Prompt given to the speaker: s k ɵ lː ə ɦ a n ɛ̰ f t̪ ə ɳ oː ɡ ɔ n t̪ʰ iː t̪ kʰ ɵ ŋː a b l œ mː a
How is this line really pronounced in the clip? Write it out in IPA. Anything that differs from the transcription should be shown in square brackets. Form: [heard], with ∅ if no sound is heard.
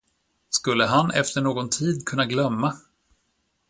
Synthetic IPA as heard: s k ɵ lː ə ɦ a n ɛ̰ f t̪ ə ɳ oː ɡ ɔ n t̪ʰ iː [d̪] kʰ ɵ [nː] a [ɡ] l œ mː a

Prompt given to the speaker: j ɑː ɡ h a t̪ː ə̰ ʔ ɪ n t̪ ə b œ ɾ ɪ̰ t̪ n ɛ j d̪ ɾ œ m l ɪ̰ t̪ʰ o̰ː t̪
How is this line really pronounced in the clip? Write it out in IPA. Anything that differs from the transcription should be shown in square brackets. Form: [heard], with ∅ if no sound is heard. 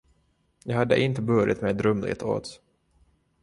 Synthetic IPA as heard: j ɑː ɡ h a [d̪ː] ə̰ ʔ ɪ n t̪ ə b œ ɾ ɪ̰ t̪ [m] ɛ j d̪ ɾ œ m l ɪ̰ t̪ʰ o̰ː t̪

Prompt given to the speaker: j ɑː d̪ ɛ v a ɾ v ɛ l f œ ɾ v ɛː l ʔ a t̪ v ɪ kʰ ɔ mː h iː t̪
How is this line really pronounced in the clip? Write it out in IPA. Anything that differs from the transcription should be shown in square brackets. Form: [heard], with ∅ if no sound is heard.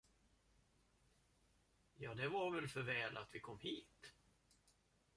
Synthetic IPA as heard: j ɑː d̪ ɛ v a ɾ v ɛ l f œ ɾ v ɛː l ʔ a t̪ v ɪ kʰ ɔ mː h iː t̪

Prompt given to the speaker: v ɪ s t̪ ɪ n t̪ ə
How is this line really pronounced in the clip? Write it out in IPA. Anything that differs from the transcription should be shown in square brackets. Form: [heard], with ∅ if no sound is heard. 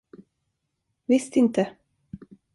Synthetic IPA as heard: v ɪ s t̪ ɪ n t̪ ə

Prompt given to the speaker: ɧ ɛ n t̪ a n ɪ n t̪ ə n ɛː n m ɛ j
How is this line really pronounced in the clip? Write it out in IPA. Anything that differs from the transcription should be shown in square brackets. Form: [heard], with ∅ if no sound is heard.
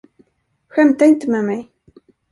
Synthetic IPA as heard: ɧ ɛ [m] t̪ a [∅] ɪ n t̪ ə [m] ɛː [∅] m ɛ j

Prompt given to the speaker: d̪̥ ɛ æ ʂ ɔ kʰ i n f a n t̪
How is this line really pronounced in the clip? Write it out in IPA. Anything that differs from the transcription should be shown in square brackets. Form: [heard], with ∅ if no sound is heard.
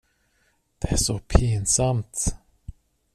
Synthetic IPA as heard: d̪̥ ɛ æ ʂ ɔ [pʰ] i n [s] a [m] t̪

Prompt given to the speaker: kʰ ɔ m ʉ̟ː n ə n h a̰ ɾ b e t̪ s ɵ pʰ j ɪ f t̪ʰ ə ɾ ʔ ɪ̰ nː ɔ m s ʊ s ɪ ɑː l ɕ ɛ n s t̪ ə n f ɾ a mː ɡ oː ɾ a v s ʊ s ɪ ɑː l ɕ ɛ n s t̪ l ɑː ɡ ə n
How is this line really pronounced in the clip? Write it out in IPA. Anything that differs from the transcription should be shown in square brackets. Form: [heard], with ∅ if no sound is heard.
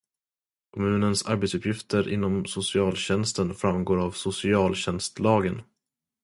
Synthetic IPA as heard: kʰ ɔ m ʉ̟ː n ə n [s] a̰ ɾ b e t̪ s ɵ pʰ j ɪ f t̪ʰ ə ɾ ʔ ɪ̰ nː ɔ m s ʊ s ɪ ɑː l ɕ ɛ n s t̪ ə n f ɾ a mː ɡ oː ɾ a v s ʊ s ɪ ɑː l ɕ ɛ n s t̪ l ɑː ɡ ə n

